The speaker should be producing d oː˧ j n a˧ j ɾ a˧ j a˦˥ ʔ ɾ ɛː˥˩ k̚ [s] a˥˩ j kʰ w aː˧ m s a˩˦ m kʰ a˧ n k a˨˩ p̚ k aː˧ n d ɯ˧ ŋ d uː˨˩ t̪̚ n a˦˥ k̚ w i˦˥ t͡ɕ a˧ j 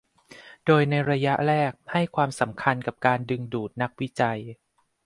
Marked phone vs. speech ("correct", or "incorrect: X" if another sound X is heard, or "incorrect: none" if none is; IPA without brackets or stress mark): incorrect: h